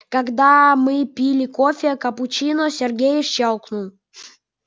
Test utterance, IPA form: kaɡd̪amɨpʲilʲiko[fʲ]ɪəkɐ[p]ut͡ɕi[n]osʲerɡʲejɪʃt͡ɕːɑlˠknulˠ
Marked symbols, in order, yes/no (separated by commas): yes, yes, yes